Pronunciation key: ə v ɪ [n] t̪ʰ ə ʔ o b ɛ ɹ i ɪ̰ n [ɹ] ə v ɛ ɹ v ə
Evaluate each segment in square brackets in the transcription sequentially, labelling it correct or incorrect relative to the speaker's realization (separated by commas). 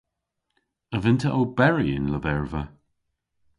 correct, incorrect